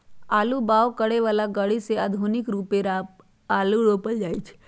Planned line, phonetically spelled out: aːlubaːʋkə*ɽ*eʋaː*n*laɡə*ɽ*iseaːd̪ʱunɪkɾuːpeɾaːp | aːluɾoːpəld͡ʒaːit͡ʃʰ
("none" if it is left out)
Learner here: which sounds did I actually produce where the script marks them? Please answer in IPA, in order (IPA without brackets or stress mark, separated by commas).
ɽ, none, ɽ